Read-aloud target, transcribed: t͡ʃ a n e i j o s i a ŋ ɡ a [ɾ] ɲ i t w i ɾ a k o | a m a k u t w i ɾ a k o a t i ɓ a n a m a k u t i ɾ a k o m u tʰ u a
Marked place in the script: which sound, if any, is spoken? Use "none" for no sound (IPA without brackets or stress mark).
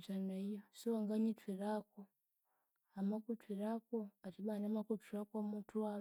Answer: none